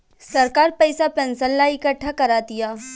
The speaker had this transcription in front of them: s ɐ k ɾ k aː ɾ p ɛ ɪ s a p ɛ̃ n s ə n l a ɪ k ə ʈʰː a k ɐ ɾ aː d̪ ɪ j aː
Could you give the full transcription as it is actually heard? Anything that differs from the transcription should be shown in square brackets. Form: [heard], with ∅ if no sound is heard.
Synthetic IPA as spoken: s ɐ [∅] ɾ k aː ɾ p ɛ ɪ s a p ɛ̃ n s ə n l a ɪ k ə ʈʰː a k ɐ ɾ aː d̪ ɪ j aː